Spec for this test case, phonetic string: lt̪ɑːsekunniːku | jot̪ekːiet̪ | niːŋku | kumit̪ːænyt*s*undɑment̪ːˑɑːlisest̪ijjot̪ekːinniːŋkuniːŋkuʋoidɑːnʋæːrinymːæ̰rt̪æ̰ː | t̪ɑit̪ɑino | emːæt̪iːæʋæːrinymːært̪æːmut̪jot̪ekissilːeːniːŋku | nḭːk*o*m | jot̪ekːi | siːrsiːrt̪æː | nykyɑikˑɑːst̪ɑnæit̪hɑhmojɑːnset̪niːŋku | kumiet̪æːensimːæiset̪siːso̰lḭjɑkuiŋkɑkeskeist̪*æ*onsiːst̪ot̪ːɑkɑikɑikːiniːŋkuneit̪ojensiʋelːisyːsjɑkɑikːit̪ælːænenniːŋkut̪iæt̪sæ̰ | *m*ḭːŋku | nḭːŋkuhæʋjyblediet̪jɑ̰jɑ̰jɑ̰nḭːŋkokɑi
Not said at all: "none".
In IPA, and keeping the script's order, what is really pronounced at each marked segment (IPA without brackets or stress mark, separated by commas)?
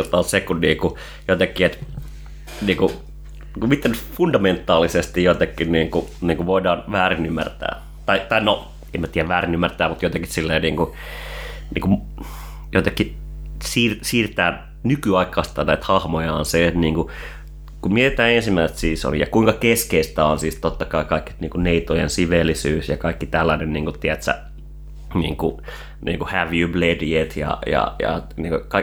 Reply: f, u, æ, n